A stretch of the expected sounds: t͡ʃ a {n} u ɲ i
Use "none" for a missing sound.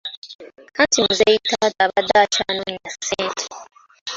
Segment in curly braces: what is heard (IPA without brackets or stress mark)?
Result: n